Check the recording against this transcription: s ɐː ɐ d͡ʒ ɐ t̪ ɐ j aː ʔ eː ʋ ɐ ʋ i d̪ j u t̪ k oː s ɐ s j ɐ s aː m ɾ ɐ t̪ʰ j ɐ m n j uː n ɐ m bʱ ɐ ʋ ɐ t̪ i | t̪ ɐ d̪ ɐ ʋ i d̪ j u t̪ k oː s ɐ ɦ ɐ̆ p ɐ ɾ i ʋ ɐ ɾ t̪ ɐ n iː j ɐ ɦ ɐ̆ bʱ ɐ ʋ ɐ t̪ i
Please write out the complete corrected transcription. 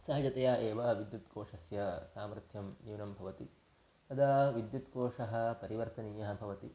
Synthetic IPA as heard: s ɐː ɐ d͡ʒ ɐ t̪ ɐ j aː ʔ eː ʋ ɐ ʋ i d̪ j u t̪ k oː ʂ ɐ s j ɐ s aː m ɾ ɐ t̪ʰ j ɐ m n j uː n ɐ m bʱ ɐ ʋ ɐ t̪ i | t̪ ɐ d̪ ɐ ʋ i d̪ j u t̪ k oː ʂ ɐ ɦ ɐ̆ p ɐ ɾ i ʋ ɐ ɾ t̪ ɐ n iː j ɐ ɦ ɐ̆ bʱ ɐ ʋ ɐ t̪ i